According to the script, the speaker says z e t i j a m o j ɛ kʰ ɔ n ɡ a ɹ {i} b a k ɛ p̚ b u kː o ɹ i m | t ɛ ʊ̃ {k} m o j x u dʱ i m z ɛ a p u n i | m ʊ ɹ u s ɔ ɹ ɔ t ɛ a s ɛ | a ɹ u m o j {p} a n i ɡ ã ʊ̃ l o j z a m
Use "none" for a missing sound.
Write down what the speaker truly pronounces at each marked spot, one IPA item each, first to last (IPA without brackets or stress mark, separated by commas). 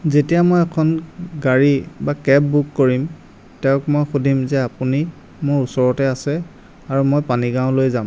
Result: i, k, p